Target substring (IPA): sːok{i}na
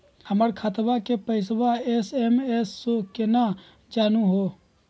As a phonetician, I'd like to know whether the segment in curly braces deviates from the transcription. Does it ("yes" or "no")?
yes